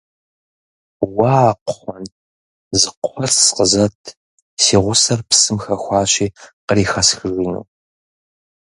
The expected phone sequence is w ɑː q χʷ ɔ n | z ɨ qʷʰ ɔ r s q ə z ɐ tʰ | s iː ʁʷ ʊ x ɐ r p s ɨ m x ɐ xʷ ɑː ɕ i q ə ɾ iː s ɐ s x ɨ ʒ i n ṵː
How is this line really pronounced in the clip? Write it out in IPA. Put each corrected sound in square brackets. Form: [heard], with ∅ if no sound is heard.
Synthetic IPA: w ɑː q χʷ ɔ n | z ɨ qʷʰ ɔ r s q ə z ɐ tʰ | s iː ʁʷ ʊ [s] ɐ r p s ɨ m x ɐ xʷ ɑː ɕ [iː] q ə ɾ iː [x] ɐ s x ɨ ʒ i n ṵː